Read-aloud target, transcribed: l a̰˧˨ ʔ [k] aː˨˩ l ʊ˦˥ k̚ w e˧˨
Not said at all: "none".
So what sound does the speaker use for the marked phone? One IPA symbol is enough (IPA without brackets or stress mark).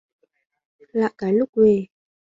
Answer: k